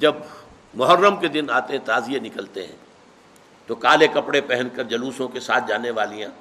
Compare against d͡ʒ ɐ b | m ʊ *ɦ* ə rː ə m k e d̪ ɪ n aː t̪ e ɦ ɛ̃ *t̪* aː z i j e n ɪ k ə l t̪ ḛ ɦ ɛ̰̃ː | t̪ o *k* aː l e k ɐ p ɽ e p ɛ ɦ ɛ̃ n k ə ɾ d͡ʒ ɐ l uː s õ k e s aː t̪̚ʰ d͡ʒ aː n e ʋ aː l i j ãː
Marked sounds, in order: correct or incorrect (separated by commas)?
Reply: correct, correct, correct